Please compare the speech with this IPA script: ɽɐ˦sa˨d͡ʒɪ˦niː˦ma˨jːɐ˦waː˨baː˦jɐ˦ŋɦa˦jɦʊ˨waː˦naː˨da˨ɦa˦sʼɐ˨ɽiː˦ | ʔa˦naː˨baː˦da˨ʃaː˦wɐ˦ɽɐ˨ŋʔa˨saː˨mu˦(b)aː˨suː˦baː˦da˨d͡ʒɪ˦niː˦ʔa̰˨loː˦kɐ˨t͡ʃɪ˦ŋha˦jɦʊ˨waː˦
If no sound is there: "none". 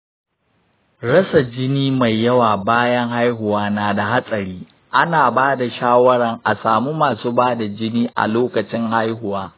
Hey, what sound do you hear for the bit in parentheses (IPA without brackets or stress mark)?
m